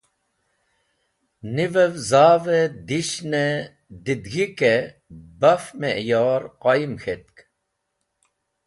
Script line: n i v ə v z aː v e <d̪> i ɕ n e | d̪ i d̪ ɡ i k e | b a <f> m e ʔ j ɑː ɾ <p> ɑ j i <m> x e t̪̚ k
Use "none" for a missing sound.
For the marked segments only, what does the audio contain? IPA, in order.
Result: d̪, f, q, m

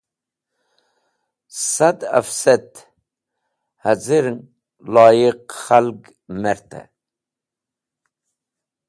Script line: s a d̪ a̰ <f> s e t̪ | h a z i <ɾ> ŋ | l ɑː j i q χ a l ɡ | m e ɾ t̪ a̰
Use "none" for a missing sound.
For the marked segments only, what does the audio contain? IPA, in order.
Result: f, ɾ

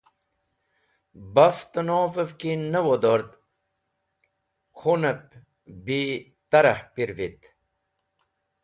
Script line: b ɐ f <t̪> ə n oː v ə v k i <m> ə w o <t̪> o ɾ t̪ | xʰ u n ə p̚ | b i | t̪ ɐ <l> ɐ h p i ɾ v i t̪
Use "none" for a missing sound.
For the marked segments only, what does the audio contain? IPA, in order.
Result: t̪, n, d̪, ɾ

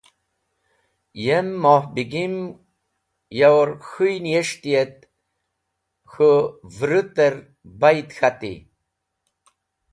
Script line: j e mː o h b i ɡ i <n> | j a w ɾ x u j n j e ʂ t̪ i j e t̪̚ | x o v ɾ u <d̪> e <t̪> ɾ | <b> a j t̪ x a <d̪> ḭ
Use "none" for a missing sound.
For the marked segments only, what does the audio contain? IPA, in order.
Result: m, t̪, none, b, t̪

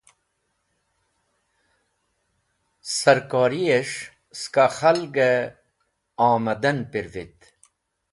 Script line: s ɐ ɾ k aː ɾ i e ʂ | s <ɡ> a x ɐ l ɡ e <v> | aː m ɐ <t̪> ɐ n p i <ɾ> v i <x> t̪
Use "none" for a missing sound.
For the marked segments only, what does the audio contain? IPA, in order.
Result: k, none, d̪, ɾ, none

